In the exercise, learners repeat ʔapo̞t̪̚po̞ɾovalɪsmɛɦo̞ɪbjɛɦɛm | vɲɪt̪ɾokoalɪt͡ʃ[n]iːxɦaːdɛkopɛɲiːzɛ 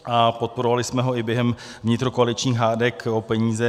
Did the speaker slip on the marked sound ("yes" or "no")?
yes